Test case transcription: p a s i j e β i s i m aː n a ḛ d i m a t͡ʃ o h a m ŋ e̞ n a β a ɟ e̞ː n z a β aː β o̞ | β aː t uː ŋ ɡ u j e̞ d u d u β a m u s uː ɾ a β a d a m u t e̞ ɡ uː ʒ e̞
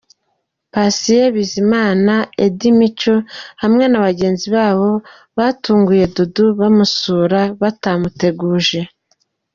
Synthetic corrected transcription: p a s i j e β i z i m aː n a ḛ d i m i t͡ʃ o h a m ŋ e̞ n a β a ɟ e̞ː n z i β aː β o̞ | β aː t uː ŋ ɡ u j e̞ d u d u β a m u s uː ɾ a β a t a m u t e̞ ɡ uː ʒ e̞

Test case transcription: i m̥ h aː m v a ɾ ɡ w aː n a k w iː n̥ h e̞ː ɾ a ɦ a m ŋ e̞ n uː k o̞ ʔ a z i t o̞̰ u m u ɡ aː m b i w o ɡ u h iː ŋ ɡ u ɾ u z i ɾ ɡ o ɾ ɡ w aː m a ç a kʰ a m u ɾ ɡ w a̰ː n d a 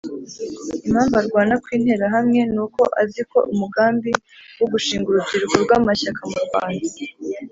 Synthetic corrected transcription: i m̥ h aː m v a ɾ ɡ w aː n a k w iː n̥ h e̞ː ɾ a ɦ a m ŋ e̞ n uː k o̞ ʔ a z i k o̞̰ u m u ɡ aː m b i w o ɡ u ʃ iː ŋ ɡ u ɾ u z i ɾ ɡ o ɾ ɡ w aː m a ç a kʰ a m u ɾ ɡ w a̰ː n d a

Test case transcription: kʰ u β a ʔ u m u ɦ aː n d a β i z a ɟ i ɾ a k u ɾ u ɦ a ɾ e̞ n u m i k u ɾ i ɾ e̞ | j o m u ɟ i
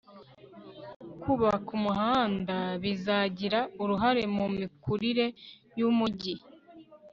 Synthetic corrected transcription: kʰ u β a k u m u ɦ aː n d a β i z a ɟ i ɾ a u ɾ u ɦ a ɾ e̞ m u m i k u ɾ i ɾ e̞ | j u m u ɟ i

